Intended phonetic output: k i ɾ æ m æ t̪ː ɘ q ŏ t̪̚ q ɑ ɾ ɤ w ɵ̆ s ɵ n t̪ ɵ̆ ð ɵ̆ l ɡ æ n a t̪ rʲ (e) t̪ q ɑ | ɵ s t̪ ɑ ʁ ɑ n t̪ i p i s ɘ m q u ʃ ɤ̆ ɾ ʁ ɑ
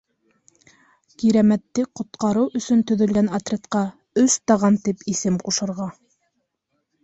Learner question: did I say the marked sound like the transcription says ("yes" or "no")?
yes